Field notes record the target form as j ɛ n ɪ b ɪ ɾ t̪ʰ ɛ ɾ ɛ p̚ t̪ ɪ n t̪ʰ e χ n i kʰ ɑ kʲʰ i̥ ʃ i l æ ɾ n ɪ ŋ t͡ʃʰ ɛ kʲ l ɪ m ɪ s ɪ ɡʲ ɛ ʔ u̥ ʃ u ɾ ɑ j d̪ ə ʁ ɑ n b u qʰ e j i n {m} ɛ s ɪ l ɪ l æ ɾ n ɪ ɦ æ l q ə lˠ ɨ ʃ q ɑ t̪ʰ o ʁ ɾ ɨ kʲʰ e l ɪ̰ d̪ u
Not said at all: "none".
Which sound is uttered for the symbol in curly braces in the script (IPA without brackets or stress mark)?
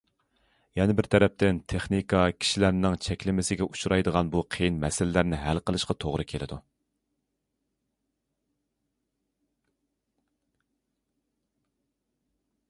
m